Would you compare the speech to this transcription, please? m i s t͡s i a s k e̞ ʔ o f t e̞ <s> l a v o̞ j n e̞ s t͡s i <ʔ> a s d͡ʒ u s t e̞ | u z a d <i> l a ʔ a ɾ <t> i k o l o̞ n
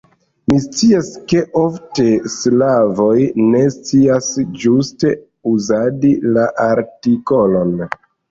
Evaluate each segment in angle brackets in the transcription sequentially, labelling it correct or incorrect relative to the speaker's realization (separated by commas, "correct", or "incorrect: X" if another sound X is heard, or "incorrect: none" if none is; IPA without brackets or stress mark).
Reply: correct, incorrect: none, correct, correct